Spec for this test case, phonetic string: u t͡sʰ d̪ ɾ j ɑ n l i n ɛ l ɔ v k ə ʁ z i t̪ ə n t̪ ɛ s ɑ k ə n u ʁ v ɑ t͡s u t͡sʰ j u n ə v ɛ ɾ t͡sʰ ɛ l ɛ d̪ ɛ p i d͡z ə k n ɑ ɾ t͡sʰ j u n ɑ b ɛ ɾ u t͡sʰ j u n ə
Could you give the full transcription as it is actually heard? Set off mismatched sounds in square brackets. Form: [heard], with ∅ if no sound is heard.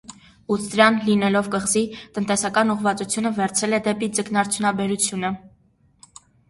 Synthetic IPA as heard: u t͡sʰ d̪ ɾ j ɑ n l i n ɛ l ɔ v k ə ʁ z i t̪ ə n t̪ ɛ s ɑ k [ɑ] n u ʁ v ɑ t͡s u t͡sʰ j u n ə v ɛ ɾ t͡sʰ ɛ l ɛ d̪ ɛ p i d͡z ə k n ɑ ɾ t͡sʰ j u n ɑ b ɛ ɾ u t͡sʰ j u n ə